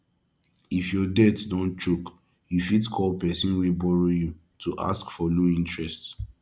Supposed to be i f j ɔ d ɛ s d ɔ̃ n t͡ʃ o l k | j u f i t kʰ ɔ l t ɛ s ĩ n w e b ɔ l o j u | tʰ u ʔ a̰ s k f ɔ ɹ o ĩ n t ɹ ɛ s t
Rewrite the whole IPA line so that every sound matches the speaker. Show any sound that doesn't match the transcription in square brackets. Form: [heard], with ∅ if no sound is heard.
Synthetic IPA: i f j ɔ d ɛ [t] d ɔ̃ n t͡ʃ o [∅] k | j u f i t kʰ ɔ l [p] ɛ s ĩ n w e b ɔ [ɹ] o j u | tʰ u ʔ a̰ s k f ɔ [l] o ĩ n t ɹ ɛ s t